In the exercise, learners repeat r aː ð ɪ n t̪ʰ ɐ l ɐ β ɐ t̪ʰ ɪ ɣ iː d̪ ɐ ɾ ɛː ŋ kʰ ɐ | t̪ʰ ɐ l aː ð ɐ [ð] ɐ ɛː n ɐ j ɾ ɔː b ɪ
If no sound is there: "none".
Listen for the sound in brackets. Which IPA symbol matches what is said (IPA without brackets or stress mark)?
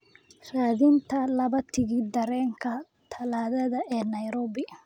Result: ð